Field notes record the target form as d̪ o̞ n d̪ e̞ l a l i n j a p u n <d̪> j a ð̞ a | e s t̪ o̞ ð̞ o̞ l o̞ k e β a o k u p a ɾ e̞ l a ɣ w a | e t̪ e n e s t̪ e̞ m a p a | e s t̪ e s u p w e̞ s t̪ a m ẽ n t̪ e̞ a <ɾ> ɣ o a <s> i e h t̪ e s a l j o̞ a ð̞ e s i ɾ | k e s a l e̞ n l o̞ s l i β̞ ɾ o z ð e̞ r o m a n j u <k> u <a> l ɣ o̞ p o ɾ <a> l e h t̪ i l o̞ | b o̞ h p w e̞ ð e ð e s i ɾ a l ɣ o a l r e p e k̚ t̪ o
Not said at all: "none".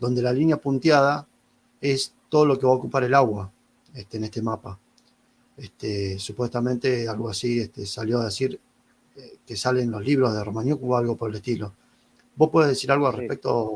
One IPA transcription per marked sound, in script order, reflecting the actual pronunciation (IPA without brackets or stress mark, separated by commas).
t̪, l, s, k, a, e